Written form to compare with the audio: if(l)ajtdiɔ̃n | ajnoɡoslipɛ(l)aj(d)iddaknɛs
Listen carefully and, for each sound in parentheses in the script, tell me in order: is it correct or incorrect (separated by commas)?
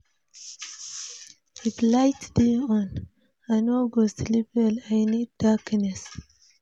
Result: correct, correct, incorrect